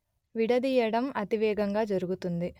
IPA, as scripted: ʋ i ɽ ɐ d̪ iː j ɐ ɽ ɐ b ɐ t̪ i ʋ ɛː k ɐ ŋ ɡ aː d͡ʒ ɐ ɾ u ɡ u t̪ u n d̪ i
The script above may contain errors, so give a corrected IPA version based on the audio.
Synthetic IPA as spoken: ʋ i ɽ ɐ d̪ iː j ɐ ɽ ɐ m ɐ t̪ i ʋ ɛː ɡ ɐ ŋ ɡ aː d͡ʒ ɐ ɾ u ɡ u t̪ u n d̪ i